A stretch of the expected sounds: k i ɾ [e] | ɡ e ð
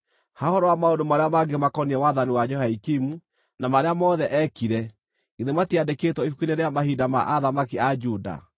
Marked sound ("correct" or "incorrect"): incorrect